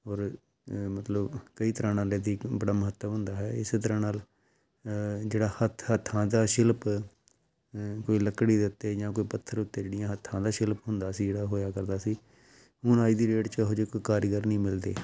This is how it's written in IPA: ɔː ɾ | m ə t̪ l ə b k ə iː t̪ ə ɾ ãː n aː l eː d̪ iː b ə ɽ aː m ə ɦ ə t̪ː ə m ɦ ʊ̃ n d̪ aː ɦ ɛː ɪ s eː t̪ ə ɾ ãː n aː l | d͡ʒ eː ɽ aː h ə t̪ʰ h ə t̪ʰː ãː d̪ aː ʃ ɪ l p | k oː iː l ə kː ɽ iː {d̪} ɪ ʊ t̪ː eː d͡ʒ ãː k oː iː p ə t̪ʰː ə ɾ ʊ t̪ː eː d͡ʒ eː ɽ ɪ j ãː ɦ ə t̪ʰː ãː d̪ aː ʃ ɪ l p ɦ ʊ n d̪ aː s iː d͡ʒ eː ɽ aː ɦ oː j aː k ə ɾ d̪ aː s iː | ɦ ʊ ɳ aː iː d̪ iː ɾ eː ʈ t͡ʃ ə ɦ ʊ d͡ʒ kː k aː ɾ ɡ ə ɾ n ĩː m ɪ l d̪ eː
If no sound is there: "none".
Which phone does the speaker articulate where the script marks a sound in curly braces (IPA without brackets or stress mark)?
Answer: d̪